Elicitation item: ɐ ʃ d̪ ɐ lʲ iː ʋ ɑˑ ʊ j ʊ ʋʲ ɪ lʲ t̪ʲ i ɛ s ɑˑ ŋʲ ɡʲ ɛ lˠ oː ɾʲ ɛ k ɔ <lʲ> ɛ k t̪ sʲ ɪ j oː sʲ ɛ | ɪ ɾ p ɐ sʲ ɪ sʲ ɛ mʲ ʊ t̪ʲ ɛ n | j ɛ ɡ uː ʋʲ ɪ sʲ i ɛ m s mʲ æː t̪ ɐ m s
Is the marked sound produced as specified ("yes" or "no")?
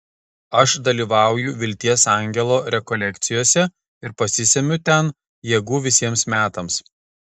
yes